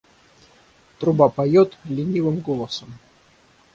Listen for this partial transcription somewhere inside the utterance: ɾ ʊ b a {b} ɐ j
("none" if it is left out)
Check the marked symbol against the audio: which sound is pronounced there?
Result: p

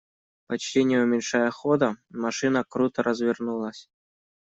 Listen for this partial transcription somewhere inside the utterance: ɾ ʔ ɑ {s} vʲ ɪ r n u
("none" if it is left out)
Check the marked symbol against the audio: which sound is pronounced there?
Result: z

